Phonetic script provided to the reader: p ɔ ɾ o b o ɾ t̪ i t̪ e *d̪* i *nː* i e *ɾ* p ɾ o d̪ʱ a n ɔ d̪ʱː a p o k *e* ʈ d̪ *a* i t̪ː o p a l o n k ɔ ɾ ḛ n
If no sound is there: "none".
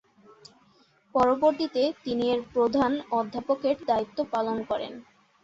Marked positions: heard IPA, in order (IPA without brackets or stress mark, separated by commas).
t̪, n, ɾ, e, a